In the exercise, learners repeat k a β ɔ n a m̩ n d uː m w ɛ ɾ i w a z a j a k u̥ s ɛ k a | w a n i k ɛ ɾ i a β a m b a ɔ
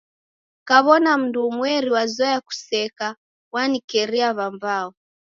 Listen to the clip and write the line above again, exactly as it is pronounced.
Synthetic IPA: k a β ɔ n a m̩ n d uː m w ɛ ɾ i w a z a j a k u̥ s ɛ k a | w a n i k ɛ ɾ i a β a m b a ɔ